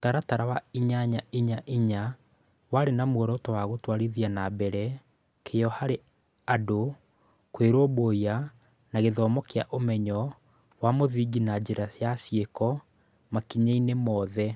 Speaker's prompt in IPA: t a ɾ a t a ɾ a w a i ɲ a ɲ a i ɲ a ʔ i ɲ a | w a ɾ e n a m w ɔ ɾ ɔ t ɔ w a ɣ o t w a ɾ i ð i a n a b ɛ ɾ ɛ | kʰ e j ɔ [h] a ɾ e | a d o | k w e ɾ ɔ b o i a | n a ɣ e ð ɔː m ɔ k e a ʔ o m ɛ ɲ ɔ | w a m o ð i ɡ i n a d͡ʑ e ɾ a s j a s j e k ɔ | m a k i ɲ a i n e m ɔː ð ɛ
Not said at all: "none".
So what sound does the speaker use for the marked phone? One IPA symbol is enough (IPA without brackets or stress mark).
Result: h